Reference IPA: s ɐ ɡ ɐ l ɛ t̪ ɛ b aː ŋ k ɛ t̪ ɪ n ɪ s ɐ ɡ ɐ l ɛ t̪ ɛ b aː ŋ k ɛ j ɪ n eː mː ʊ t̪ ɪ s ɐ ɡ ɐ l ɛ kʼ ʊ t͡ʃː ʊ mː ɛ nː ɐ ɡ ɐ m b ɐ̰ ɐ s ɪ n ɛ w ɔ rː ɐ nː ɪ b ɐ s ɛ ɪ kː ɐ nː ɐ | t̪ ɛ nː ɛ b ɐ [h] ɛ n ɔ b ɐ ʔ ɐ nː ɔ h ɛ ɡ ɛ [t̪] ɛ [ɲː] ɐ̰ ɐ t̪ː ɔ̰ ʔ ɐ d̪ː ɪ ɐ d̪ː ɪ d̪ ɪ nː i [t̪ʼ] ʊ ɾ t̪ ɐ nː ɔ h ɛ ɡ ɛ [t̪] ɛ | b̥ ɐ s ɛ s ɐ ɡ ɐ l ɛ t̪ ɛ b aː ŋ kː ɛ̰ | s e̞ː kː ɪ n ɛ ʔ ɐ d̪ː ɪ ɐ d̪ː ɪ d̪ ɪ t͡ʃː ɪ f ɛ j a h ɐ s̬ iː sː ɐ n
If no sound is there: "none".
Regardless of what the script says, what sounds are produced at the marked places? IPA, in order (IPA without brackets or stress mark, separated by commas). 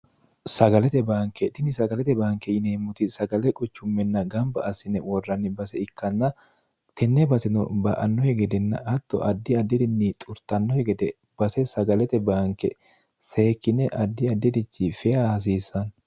s, d̪, nː, t̪ʼ, d̪